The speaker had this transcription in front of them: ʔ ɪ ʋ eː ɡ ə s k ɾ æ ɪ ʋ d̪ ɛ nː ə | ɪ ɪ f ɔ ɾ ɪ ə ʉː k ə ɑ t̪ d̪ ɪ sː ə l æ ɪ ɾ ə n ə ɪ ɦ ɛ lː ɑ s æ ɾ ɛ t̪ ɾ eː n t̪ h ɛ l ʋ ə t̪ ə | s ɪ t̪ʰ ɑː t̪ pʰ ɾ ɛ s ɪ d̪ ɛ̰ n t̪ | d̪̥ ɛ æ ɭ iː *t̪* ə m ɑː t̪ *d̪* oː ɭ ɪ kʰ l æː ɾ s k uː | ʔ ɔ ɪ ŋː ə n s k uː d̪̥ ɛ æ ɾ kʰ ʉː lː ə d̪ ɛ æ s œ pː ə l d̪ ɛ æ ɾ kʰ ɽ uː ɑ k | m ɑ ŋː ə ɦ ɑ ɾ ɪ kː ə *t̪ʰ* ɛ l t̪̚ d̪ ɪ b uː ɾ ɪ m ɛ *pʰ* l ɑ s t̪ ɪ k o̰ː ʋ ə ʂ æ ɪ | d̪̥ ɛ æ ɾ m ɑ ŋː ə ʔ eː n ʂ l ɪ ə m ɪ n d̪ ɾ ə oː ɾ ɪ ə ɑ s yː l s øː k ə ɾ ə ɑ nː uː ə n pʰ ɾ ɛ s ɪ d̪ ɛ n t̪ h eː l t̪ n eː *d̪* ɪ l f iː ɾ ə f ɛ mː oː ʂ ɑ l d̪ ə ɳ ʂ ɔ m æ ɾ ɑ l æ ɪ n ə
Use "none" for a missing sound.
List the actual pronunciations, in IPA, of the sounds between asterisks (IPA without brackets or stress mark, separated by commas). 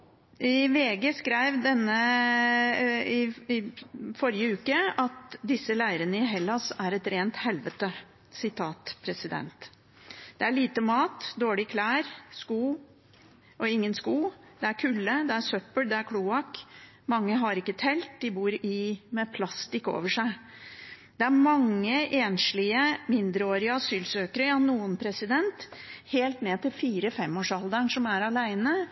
t̪, d̪, t̪ʰ, pʰ, t̪